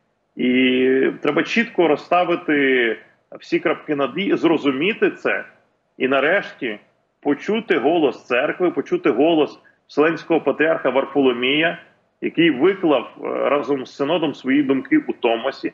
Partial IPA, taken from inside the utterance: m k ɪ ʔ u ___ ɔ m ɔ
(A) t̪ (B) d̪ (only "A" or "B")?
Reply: A